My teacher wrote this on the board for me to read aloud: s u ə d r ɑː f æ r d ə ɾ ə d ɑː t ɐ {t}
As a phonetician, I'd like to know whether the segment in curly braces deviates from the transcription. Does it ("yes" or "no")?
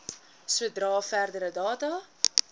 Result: yes